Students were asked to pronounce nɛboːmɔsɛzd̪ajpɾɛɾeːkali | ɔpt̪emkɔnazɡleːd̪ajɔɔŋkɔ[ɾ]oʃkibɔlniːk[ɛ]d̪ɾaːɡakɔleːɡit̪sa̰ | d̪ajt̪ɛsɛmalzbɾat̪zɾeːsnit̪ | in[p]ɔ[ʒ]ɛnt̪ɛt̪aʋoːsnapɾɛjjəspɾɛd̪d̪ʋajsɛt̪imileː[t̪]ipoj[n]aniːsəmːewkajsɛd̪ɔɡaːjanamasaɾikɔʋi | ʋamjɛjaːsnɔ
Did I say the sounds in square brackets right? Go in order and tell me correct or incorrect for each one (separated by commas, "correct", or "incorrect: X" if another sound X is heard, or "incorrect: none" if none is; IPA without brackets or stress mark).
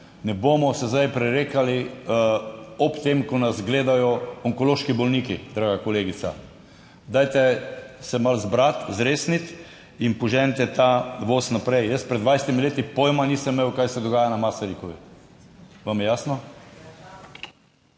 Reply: incorrect: l, incorrect: i, correct, correct, correct, incorrect: m